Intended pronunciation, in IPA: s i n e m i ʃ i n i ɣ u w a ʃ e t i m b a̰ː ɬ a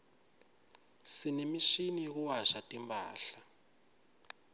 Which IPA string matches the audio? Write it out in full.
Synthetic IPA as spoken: s i n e m i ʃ i n i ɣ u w a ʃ a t i m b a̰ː ɬ a